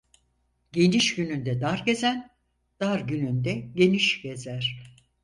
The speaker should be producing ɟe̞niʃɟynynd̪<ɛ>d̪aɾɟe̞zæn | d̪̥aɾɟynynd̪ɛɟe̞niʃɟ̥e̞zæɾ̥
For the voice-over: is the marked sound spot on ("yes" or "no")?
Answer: yes